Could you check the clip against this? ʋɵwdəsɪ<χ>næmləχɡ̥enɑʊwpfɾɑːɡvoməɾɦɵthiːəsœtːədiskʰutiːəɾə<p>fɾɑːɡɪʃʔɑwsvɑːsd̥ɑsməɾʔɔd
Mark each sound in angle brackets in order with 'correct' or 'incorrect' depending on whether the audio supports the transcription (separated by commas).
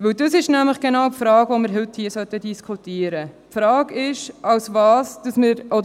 incorrect, correct